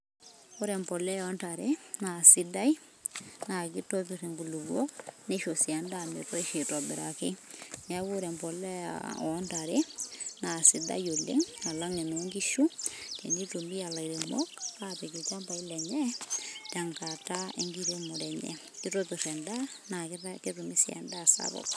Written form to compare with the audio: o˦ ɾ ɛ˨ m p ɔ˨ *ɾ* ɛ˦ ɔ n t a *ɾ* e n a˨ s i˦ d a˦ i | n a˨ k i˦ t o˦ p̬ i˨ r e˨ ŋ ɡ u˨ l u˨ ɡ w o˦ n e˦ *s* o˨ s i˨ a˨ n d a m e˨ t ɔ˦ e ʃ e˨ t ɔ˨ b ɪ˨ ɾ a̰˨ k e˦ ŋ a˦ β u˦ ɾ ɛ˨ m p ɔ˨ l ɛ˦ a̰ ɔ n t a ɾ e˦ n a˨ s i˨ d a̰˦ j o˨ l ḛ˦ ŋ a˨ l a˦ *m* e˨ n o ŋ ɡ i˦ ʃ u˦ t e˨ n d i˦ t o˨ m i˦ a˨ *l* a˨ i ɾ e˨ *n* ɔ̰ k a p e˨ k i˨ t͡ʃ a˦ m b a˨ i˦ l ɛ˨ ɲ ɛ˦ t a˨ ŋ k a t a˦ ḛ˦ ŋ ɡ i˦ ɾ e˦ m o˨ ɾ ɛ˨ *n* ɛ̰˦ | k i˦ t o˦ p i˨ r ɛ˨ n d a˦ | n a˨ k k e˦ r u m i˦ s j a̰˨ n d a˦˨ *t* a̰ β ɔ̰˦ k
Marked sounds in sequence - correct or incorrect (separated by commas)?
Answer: incorrect, correct, incorrect, incorrect, correct, incorrect, incorrect, incorrect